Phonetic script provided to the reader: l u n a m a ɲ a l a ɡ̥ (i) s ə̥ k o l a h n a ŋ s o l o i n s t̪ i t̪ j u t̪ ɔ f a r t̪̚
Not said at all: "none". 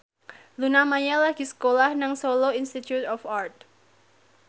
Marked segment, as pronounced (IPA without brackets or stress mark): i